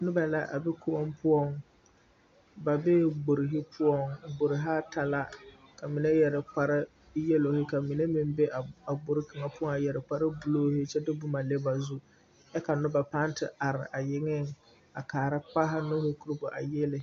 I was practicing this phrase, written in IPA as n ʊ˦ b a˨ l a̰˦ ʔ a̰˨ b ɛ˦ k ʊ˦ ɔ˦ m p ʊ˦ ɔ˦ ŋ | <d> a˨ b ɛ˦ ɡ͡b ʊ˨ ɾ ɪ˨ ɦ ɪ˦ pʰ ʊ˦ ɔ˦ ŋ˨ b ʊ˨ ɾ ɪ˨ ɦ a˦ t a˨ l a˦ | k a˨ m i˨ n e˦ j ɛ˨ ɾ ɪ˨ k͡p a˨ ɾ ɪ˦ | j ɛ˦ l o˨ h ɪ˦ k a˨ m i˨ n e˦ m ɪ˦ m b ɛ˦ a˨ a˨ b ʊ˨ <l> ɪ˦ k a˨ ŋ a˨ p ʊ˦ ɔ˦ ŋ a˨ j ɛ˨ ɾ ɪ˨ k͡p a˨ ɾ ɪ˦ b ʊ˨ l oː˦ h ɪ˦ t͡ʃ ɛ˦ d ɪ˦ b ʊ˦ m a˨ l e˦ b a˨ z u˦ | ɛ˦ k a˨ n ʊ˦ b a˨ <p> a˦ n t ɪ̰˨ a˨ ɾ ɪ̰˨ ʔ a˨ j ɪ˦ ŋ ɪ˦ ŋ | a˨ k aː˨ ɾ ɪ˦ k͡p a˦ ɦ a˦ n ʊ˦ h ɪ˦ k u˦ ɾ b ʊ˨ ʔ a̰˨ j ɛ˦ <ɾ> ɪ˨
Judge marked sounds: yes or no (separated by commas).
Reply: no, no, yes, no